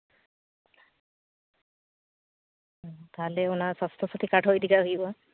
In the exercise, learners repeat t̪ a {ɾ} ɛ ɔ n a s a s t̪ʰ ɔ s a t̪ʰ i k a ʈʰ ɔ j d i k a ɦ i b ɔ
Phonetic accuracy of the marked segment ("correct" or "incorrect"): incorrect